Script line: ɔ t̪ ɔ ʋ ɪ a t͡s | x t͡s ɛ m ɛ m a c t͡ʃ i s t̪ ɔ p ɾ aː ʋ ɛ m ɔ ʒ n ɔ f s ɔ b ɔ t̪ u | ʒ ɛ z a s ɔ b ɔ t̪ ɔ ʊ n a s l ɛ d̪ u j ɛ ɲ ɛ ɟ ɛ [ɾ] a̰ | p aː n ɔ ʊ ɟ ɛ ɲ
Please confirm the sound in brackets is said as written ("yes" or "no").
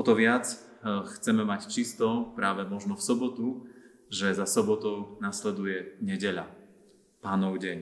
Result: no